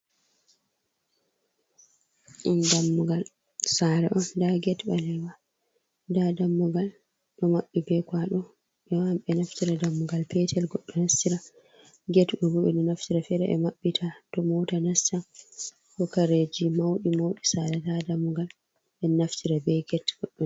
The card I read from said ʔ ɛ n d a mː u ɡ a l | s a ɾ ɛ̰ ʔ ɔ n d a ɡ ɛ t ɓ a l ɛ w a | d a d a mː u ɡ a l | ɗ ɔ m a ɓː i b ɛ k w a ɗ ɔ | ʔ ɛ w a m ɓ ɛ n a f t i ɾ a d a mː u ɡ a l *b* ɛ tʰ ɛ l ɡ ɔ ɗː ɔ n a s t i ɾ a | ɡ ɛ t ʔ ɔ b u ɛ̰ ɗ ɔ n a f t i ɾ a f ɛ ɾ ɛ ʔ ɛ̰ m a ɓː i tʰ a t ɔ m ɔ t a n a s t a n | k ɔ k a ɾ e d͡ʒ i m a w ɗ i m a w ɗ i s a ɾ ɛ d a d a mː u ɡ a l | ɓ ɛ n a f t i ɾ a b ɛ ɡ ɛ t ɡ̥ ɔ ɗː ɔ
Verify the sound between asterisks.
incorrect: p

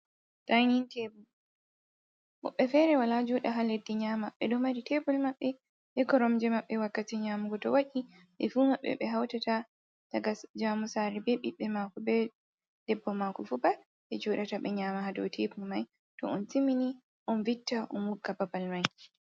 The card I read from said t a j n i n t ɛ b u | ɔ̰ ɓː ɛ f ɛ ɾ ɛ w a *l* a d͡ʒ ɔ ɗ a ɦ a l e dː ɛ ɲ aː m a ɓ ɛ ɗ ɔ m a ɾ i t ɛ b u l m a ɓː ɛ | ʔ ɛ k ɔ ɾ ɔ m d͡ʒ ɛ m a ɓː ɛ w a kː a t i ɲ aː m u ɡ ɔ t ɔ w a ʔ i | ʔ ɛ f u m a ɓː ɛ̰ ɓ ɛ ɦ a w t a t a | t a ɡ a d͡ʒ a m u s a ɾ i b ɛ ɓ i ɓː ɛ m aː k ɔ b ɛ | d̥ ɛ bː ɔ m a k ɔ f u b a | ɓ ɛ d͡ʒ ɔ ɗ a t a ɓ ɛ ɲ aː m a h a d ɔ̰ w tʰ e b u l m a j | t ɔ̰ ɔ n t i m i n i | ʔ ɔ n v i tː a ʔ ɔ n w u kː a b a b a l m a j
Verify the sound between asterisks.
correct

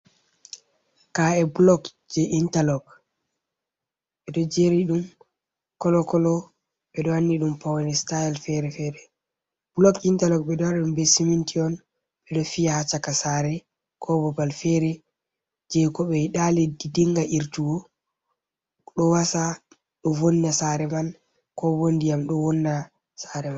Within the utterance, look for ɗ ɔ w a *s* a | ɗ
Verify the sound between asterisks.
correct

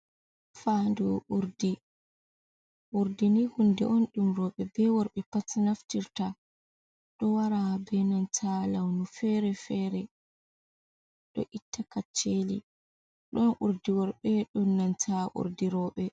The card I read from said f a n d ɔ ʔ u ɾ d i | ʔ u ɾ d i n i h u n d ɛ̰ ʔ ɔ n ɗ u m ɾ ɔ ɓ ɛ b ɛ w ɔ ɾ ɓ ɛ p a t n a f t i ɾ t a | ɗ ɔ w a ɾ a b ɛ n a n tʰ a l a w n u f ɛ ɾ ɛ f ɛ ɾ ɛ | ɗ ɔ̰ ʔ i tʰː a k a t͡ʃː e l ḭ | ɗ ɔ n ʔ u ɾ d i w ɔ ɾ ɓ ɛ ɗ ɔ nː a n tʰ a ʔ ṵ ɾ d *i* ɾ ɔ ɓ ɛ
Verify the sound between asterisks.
correct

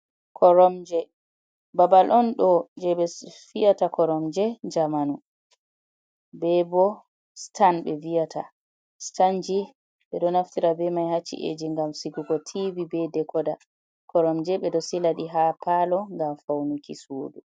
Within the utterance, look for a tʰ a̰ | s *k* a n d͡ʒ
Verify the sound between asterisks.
incorrect: t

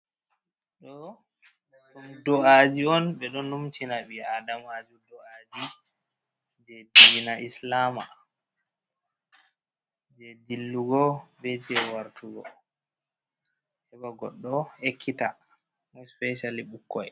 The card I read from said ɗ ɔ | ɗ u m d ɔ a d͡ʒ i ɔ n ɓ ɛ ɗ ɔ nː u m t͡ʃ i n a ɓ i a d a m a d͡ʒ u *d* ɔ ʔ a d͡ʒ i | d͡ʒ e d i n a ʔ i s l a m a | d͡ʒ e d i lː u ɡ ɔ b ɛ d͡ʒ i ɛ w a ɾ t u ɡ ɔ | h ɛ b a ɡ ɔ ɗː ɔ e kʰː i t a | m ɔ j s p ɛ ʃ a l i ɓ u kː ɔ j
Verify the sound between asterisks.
correct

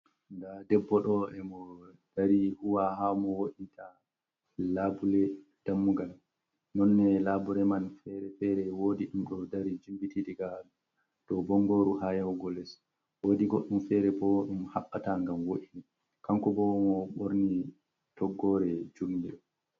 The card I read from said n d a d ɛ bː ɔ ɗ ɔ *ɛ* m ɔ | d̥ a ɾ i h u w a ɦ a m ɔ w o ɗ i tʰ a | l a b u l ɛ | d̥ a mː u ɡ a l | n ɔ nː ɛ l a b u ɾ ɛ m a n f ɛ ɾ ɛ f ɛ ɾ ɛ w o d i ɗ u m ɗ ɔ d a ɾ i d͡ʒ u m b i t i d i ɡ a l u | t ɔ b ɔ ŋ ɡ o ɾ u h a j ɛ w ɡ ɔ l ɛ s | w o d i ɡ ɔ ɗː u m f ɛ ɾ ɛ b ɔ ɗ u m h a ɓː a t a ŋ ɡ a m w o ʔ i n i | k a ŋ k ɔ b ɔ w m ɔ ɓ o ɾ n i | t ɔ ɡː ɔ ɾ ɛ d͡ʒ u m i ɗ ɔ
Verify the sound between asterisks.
correct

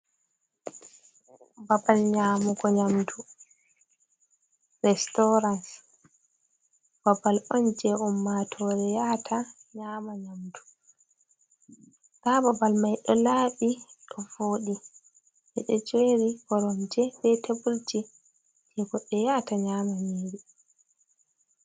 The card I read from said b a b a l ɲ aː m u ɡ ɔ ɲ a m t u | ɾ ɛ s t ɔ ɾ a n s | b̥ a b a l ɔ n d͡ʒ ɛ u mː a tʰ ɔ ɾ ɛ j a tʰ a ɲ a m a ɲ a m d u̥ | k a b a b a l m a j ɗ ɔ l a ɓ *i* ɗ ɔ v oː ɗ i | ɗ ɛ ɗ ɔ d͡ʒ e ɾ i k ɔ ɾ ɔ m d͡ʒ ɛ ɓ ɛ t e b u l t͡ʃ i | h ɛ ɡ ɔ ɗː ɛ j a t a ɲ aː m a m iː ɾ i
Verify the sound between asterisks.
correct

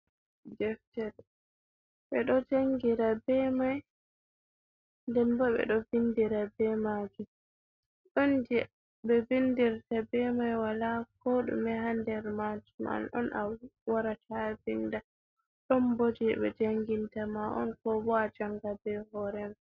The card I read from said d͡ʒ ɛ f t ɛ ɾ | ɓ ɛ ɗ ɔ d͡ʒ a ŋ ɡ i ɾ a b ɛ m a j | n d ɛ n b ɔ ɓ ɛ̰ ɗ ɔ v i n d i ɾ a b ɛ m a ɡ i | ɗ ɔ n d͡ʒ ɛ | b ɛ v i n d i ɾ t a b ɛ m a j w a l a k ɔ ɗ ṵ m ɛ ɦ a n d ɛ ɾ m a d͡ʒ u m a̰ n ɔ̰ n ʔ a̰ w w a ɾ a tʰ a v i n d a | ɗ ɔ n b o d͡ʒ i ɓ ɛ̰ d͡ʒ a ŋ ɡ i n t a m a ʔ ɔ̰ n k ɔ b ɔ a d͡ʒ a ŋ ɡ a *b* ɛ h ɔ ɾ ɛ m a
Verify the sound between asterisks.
correct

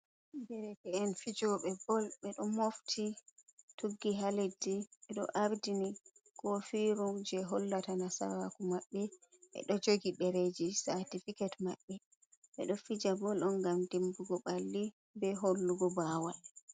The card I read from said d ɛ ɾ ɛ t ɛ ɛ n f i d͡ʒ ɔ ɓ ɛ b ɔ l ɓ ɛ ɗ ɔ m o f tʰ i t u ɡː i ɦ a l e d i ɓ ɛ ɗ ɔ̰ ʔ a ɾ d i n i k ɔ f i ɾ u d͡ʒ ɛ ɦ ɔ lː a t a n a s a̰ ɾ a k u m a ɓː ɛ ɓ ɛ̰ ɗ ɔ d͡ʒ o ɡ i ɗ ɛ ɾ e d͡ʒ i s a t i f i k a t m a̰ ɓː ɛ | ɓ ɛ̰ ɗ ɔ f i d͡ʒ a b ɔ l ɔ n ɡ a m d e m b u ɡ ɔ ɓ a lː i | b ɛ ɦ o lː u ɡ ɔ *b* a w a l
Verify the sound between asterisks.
correct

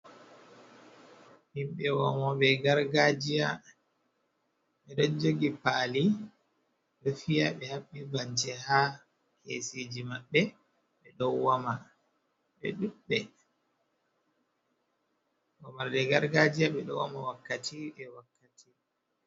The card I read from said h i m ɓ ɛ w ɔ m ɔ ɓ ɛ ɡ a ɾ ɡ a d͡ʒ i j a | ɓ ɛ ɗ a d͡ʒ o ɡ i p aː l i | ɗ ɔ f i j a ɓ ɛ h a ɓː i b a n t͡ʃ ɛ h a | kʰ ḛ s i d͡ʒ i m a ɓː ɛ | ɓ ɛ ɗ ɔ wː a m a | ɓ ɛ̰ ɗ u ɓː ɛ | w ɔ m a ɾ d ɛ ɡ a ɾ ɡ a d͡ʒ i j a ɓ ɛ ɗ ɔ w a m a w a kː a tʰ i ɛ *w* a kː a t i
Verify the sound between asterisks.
correct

